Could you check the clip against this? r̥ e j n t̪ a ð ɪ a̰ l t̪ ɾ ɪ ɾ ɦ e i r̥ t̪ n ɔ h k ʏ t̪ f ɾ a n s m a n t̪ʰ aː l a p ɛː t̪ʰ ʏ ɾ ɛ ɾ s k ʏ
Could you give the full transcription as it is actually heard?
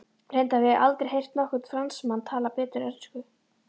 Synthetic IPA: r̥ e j n t̪ a v ɪ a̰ l t̪ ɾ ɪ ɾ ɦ e j r̥ t̪ n ɔ h k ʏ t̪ f ɾ a n s m a n t̪ʰ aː l a p ɛː t̪ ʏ ɾ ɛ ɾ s k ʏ